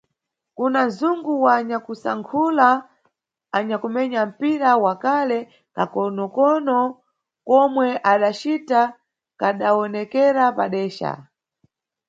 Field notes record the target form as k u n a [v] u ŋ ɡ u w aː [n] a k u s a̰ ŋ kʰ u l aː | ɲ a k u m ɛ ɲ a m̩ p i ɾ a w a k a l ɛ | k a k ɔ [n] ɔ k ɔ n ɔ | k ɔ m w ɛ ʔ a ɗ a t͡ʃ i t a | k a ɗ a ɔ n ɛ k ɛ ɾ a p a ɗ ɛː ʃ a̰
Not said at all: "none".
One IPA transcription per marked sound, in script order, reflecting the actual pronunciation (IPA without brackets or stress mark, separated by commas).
z, ɲ, n